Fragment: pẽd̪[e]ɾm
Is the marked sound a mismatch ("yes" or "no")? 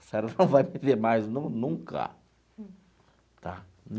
no